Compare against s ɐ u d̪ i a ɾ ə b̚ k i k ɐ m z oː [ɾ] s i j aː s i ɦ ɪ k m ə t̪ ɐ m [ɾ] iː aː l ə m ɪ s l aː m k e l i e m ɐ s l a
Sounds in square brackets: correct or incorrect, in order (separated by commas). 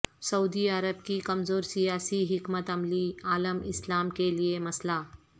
correct, incorrect